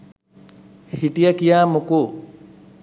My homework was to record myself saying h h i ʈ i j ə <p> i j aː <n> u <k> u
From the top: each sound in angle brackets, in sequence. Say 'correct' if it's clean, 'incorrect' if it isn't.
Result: incorrect: k, incorrect: m, correct

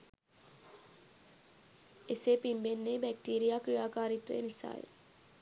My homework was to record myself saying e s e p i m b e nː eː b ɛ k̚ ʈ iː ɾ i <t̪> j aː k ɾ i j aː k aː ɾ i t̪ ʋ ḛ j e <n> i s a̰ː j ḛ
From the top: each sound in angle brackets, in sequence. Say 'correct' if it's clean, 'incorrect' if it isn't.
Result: incorrect: none, correct

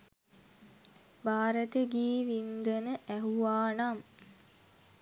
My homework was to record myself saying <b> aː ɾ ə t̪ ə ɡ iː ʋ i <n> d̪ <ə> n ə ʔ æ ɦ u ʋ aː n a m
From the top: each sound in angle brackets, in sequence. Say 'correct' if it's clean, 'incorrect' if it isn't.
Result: correct, correct, correct

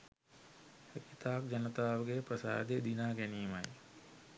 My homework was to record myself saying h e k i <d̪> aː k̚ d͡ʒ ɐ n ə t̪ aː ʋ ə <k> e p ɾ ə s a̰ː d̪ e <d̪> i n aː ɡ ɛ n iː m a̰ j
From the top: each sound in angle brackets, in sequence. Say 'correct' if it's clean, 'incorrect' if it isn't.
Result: incorrect: t̪, incorrect: ɡ, correct

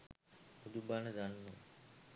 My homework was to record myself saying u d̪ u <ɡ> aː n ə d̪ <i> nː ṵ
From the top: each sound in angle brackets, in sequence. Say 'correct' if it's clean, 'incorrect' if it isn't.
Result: incorrect: b, incorrect: a

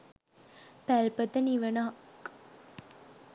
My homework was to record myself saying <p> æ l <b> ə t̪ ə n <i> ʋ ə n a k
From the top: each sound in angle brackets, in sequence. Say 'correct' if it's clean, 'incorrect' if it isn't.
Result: correct, incorrect: p, correct

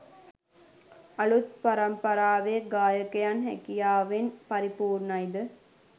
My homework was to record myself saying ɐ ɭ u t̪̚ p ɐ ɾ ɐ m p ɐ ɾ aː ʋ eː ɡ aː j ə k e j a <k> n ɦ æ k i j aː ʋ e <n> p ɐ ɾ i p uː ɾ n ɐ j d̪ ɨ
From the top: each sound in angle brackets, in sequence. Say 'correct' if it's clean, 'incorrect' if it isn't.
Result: incorrect: none, correct

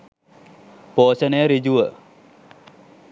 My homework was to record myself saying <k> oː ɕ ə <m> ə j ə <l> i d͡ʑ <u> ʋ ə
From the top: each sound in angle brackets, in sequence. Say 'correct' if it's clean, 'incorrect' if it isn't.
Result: incorrect: p, incorrect: n, incorrect: ɾ, correct

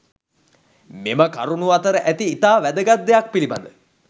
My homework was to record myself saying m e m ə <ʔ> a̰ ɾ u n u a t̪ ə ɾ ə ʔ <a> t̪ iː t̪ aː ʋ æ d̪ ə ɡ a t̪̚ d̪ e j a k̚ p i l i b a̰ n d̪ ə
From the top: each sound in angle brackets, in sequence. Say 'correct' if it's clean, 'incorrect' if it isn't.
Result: incorrect: k, incorrect: æ

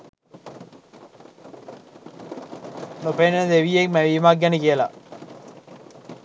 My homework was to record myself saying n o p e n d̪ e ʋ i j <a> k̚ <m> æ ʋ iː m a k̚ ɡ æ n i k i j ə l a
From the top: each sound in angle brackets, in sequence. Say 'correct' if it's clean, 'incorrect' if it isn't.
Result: incorrect: e, correct

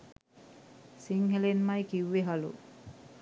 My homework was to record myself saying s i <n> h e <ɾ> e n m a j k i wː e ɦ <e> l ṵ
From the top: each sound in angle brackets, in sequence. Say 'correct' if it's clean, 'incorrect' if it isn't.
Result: incorrect: ŋ, incorrect: l, incorrect: a

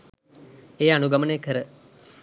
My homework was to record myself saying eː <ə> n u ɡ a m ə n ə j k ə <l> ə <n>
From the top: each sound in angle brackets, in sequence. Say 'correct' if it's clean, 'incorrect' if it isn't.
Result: incorrect: a, incorrect: ɾ, incorrect: none

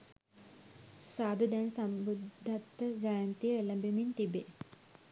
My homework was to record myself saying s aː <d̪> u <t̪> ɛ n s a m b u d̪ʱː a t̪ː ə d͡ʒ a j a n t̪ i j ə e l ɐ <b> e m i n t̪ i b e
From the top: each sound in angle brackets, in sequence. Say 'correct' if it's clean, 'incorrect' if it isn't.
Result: correct, incorrect: d̪, correct

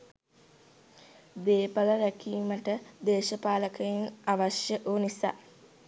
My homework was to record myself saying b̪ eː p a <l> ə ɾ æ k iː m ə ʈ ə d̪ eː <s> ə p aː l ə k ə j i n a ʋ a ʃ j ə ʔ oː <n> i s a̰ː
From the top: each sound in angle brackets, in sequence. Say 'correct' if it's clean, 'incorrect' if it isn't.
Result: correct, incorrect: ʃ, correct

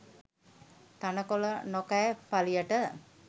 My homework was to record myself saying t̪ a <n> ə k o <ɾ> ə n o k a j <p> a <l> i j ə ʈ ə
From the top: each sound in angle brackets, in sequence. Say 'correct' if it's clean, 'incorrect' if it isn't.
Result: correct, incorrect: l, correct, correct

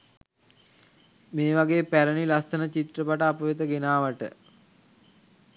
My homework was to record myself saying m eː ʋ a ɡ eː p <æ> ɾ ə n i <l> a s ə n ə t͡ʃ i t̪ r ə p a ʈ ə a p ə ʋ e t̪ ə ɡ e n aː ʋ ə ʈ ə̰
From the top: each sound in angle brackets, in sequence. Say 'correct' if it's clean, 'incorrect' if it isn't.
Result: correct, correct

